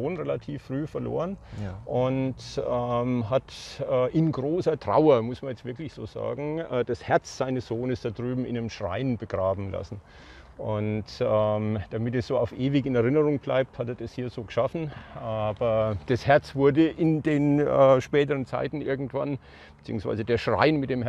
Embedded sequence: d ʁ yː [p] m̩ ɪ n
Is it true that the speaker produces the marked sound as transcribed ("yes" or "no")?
no